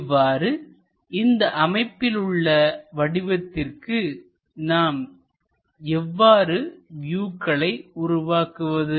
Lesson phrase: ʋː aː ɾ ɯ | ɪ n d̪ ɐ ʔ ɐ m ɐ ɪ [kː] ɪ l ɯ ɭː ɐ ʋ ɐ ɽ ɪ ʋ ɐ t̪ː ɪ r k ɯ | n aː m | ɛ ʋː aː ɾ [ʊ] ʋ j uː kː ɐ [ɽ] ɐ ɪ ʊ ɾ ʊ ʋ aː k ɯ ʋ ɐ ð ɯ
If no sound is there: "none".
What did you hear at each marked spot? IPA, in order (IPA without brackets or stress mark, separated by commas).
pː, ɯ, ɭ